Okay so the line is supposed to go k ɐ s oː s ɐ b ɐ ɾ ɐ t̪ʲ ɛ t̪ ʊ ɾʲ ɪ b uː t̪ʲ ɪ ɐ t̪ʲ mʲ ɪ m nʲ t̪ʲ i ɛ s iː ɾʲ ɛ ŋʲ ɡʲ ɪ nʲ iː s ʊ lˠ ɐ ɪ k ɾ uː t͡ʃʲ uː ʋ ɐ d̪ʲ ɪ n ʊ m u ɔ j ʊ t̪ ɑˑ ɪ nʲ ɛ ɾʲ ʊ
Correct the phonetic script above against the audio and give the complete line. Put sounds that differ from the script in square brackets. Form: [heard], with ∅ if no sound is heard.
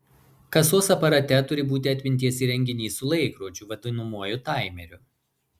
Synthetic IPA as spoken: k ɐ s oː s ɐ [p] ɐ ɾ ɐ t̪ʲ ɛ t̪ ʊ ɾʲ ɪ b uː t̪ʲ ɪ ɐ t̪ʲ mʲ ɪ [∅] nʲ t̪ʲ i ɛ s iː ɾʲ ɛ ŋʲ ɡʲ ɪ nʲ iː s ʊ lˠ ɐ ɪ k ɾ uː t͡ʃʲ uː ʋ ɐ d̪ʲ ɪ n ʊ m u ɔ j ʊ t̪ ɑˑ ɪ [mʲ] ɛ ɾʲ ʊ